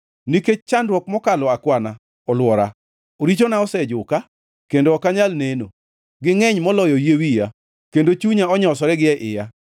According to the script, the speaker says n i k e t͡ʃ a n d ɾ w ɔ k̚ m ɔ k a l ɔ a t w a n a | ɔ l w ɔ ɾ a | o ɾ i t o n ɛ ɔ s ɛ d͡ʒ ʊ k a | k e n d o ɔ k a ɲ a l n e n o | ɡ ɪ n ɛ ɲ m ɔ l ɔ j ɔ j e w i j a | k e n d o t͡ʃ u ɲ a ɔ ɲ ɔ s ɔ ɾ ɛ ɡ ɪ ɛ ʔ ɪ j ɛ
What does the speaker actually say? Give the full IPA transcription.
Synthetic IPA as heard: n i k e t͡ʃ a n d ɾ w ɔ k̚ m ɔ k a l ɔ a k w a n a | ɔ l w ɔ ɾ a | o ɾ i t͡ʃ o n a ɔ s ɛ d͡ʒ ʊ k a | k e n d o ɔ k a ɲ a l n e n o | ɡ ɪ ŋ ɛ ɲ m ɔ l ɔ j ɔ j e w i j a | k e n d o t͡ʃ u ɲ a ɔ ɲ ɔ s ɔ ɾ ɛ ɡ ɪ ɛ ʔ ɪ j a

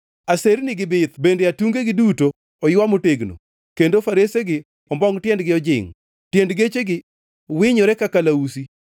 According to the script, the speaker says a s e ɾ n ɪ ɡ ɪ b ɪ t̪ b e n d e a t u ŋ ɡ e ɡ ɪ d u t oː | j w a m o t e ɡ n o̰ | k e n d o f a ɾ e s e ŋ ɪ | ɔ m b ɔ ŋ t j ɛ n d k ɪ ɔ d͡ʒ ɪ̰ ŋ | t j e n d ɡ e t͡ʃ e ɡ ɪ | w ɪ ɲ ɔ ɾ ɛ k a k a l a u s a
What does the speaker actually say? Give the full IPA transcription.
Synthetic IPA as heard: a s e ɾ n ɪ ɡ ɪ b ɪ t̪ b e n d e a t u ŋ ɡ e ɡ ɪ d u t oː | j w a m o t e ɡ n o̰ | k e n d o f a ɾ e s e ɡ ɪ | ɔ m b ɔ ŋ t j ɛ n d ɡ ɪ ɔ d͡ʒ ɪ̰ ŋ | t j e n d ɡ e t͡ʃ e ɡ ɪ | w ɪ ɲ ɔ ɾ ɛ k a k a l a u s i

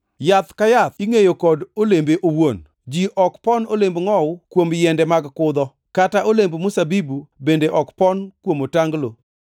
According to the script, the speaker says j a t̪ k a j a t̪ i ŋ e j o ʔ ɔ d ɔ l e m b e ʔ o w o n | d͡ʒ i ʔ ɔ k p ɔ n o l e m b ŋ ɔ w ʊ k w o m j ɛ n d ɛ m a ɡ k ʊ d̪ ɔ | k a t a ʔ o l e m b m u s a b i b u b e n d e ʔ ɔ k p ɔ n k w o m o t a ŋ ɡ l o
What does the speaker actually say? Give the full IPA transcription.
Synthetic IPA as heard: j a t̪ k a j a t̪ i ŋ e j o k ɔ d o l e m b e ʔ o w o n | d͡ʒ i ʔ ɔ k p ɔ n o l e m b ŋ ɔ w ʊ k w o m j ɛ n d ɛ m a ɡ k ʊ d̪ ɔ | k a t a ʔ o l e m b m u s a b i b u b e n d e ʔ ɔ k p ɔ n k w o m o t a ŋ ɡ l o

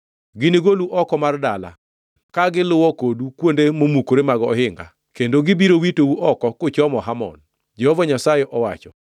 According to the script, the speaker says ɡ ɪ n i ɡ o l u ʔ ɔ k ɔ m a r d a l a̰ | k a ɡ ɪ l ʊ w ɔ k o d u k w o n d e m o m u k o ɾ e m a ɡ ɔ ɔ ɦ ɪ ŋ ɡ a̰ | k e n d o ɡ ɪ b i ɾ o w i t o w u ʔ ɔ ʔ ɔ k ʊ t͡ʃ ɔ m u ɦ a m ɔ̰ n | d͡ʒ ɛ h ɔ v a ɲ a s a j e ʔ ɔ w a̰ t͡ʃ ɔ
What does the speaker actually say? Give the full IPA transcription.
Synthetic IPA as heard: ɡ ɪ n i ɡ o l u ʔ ɔ k ɔ m a r d a l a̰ | k a ɡ ɪ l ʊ w ɔ k o d u k w o n d e m o m u k o ɾ e m a ɡ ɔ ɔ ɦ ɪ ŋ ɡ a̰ | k e n d o ɡ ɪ b i ɾ o w i t o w u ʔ ɔ k ɔ k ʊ t͡ʃ ɔ m ɔ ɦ a m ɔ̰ n | d͡ʒ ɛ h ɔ v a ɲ a s a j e ʔ ɔ w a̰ t͡ʃ ɔ

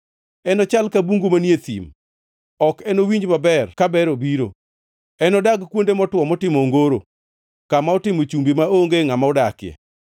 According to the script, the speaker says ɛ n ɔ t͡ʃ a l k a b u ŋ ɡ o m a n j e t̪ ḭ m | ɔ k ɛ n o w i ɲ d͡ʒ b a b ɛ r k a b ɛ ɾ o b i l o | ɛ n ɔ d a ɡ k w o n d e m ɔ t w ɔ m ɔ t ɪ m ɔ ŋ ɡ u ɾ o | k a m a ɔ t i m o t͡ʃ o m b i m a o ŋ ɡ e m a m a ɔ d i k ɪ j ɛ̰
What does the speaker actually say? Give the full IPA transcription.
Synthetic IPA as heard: ɛ n ɔ t͡ʃ a l k a b u ŋ ɡ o m a n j e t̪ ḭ m | ɔ k ɛ n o w i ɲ d͡ʒ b a b ɛ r k a b ɛ ɾ o b i ɾ o | ɛ n ɔ d a ɡ k w o n d e m ɔ t w ɔ m ɔ t ɪ m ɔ ŋ ɡ o ɾ o | k a m a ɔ t ɪ m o t͡ʃ u m b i m a o ŋ ɡ e ŋ a m a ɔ d a k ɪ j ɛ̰

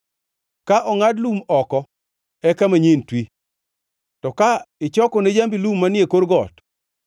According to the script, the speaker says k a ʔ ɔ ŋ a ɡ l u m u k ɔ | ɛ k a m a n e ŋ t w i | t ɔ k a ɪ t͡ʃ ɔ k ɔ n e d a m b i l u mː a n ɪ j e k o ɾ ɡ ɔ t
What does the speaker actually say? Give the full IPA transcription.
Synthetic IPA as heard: k a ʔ ɔ ŋ a d l u m ɔ k ɔ | ɛ k a m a ɲ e n t w i | t ɔ k a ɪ t͡ʃ ɔ k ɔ n e d͡ʒ a m b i l u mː a n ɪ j e k o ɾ ɡ ɔ t

